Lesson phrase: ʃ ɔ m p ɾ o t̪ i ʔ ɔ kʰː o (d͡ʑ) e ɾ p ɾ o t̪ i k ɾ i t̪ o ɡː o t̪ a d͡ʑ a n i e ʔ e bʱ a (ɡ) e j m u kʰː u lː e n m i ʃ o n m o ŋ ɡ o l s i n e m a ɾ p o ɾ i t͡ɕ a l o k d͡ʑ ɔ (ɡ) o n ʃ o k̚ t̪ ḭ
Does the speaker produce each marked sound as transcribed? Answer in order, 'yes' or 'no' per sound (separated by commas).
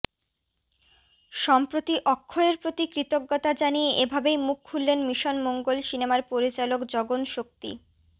no, no, yes